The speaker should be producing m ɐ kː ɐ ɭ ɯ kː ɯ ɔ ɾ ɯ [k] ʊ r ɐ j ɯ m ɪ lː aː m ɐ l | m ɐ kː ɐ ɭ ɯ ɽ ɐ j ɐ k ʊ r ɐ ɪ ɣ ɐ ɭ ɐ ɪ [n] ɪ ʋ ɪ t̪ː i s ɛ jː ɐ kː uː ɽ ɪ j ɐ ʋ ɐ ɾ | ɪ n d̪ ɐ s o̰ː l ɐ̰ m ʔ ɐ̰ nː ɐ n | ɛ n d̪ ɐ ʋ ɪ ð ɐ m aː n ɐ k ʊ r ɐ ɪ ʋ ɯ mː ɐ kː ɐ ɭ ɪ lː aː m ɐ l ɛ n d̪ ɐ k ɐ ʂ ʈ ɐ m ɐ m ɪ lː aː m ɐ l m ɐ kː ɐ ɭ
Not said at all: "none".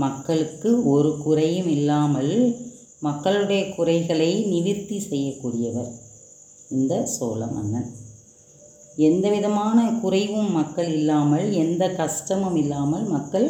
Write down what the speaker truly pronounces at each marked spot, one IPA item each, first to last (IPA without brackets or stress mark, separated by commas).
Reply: k, n